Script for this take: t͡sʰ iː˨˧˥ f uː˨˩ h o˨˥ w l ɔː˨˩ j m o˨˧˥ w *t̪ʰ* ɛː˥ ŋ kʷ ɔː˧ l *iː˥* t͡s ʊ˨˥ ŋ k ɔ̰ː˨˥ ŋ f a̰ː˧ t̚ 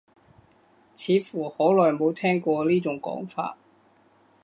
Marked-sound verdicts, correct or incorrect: correct, correct

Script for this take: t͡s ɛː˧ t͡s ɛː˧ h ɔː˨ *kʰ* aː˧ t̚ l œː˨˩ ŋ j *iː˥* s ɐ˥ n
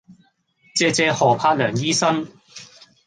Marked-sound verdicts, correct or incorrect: incorrect: pʰ, correct

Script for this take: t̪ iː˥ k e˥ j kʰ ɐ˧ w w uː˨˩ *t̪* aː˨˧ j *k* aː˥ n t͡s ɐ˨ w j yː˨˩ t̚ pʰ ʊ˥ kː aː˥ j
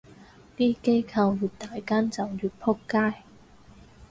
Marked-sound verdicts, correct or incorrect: correct, correct

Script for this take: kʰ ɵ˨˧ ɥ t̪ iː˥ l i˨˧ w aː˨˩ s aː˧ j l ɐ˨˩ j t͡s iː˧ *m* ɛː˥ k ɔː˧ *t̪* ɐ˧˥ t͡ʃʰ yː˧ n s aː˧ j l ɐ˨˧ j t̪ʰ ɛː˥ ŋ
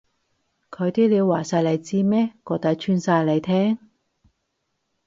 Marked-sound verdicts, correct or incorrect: correct, correct

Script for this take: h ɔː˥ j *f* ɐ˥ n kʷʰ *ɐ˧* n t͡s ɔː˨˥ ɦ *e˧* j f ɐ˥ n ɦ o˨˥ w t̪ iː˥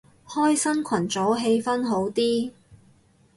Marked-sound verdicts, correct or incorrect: incorrect: s, incorrect: ɐ˨˩, correct

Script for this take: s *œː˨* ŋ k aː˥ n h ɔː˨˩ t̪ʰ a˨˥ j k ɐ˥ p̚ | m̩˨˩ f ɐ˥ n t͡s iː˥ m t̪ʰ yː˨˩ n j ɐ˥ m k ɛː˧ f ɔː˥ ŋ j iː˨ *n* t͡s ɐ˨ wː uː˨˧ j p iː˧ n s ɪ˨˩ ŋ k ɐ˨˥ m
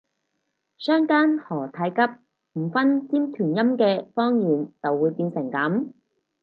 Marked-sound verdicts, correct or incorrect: incorrect: œː˥, correct

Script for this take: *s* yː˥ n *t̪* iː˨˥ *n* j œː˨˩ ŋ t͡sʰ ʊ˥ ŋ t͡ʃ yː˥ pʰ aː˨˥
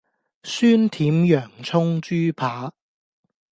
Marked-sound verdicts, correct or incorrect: correct, incorrect: t̪ʰ, incorrect: m

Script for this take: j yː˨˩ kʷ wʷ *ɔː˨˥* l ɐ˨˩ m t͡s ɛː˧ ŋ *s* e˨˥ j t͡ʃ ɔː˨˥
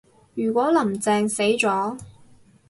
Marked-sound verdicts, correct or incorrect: correct, correct

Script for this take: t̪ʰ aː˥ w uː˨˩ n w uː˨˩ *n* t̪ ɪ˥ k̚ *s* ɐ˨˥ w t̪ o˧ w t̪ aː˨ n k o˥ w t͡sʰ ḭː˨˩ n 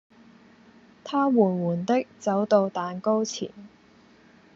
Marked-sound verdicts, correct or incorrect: correct, incorrect: t͡s

